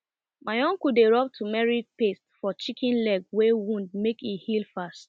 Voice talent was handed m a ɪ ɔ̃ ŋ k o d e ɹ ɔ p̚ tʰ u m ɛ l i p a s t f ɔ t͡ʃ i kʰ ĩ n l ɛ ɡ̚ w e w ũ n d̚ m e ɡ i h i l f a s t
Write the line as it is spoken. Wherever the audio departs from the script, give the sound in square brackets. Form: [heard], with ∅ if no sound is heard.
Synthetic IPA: m a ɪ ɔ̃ ŋ k [u] d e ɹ ɔ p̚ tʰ u m ɛ [ɹ] i p [e] s t f ɔ t͡ʃ i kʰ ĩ n l ɛ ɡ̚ w e w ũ n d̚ m e [k] i h i l f a s t